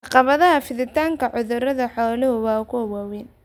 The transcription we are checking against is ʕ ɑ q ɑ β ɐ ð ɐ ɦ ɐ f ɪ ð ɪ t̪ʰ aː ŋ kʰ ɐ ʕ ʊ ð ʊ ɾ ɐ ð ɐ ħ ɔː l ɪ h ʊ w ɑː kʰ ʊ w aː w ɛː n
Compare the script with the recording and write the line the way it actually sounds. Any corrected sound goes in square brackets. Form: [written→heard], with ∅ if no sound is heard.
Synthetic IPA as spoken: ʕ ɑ q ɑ β ɐ ð ɐ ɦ ɐ f ɪ ð ɪ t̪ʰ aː ŋ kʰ ɐ ʕ ʊ ð ʊ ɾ ɐ ð ɐ ħ ɔː l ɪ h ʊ w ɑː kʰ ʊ w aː w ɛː n